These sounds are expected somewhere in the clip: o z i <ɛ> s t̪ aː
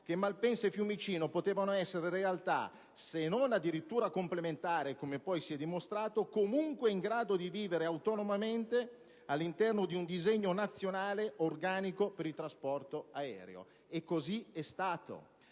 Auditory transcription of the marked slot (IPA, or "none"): ɛ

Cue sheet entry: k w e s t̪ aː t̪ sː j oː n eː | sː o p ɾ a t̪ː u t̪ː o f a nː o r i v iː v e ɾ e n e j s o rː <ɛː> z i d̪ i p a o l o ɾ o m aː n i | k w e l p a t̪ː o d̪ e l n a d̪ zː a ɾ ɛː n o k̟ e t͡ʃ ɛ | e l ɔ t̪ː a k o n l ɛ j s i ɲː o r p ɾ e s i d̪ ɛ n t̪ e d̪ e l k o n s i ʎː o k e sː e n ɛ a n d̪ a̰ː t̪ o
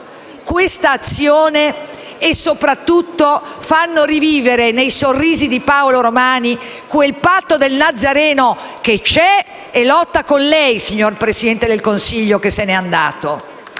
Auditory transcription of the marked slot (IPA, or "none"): iː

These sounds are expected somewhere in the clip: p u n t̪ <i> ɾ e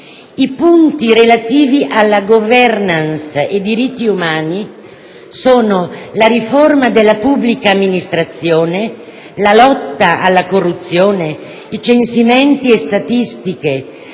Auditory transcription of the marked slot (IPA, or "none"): i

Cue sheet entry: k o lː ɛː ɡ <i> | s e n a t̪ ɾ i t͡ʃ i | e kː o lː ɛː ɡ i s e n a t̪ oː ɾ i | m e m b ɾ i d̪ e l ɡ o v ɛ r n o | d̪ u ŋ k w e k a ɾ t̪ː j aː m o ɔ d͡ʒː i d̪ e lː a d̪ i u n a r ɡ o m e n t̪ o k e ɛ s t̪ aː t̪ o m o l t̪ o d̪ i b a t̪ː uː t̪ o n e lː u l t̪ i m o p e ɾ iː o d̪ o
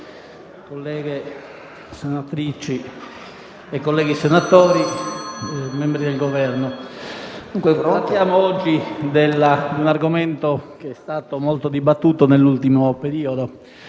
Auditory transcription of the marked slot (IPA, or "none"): e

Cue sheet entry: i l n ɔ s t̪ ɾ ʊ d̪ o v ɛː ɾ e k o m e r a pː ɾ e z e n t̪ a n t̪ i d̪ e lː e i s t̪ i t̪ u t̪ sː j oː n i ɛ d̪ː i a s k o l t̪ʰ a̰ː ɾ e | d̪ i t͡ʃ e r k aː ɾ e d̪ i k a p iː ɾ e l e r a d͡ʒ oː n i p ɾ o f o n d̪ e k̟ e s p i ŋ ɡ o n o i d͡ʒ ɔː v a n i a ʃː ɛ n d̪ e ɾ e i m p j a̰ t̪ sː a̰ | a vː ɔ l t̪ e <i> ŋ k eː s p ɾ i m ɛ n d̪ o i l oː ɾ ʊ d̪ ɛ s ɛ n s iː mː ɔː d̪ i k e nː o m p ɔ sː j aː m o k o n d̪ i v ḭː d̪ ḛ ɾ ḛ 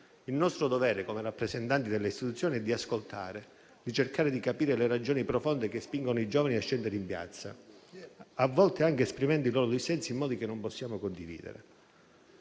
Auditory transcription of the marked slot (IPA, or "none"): a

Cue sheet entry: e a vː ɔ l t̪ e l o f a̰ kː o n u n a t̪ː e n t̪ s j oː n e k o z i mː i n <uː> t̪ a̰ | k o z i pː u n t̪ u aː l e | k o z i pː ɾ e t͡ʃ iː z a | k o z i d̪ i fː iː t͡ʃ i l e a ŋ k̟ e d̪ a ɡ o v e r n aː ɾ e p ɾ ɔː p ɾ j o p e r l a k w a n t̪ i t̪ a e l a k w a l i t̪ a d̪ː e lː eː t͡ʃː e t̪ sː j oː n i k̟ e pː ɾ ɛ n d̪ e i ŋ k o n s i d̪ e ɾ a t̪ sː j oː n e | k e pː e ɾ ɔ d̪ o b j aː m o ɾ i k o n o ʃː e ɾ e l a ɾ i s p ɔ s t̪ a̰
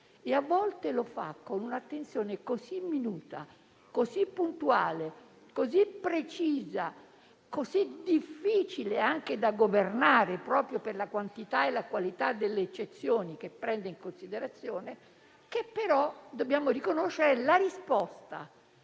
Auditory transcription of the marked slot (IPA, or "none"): uː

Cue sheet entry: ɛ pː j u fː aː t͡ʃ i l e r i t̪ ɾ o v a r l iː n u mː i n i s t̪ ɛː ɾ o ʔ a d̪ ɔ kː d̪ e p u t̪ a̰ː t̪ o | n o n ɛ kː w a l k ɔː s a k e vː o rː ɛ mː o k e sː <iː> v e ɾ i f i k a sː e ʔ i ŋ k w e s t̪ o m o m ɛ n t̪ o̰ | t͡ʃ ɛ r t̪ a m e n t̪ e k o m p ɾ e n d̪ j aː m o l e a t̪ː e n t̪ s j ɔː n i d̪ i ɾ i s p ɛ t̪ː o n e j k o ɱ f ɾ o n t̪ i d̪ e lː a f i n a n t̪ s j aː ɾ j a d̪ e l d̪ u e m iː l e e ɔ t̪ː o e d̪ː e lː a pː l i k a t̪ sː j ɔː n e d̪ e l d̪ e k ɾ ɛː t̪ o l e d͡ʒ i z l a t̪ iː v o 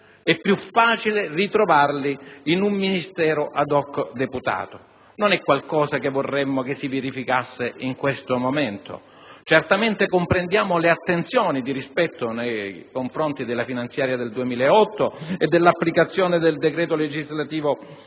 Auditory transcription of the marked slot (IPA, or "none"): i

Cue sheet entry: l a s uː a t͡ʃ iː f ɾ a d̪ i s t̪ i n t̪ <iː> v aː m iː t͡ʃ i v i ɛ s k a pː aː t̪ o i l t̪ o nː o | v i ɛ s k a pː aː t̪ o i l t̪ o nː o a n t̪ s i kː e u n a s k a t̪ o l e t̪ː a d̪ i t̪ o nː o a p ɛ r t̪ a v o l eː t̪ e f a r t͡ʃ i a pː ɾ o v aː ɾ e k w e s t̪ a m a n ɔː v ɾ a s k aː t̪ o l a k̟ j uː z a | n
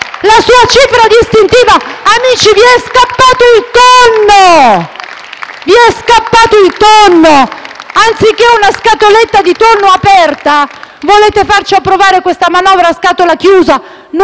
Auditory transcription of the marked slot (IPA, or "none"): iː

